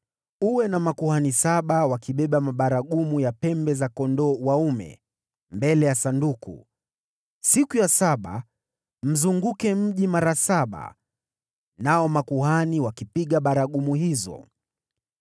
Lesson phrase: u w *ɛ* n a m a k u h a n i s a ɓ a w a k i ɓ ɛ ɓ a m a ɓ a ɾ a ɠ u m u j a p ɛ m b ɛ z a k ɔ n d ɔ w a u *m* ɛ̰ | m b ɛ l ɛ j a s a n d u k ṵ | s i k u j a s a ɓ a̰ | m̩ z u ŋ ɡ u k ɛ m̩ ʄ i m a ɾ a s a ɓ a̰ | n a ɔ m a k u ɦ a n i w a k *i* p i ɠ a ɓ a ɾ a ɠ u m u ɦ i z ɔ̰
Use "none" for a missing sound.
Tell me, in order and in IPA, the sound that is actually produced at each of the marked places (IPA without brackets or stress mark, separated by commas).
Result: ɛ, m, i